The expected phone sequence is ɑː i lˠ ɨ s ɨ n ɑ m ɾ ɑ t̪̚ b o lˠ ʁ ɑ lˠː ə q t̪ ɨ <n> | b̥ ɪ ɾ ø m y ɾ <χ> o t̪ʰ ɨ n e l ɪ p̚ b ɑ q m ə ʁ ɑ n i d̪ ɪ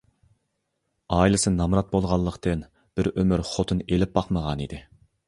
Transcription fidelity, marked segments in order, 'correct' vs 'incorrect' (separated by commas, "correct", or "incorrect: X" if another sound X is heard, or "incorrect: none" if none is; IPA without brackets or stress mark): correct, correct